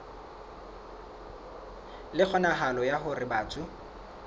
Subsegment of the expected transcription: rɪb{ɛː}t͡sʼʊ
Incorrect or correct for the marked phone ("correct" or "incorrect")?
incorrect